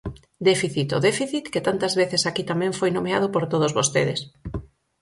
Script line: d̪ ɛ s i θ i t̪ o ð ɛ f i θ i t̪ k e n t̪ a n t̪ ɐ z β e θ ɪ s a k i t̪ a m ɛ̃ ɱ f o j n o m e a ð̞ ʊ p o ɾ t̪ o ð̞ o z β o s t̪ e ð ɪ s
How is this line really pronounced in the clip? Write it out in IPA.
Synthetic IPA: d̪ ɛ f i θ i t̪ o ð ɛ f i θ i t̪ k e t̪ a n t̪ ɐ z β e θ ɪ s a k i t̪ a m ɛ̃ ɱ f o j n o m e a ð̞ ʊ p o ɾ t̪ o ð̞ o z β o s t̪ e ð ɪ s